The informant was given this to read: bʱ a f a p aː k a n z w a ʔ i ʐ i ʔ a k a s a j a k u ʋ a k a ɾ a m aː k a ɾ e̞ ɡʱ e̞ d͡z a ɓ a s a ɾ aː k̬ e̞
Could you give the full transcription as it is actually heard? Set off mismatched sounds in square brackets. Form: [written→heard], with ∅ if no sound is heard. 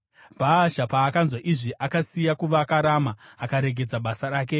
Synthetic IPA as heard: bʱ a [f→ʃ] a p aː k a n z w a ʔ i ʐ i ʔ a k a s [a→i] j a k u ʋ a k a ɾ a m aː k a ɾ e̞ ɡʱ e̞ d͡z a ɓ a s a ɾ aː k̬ e̞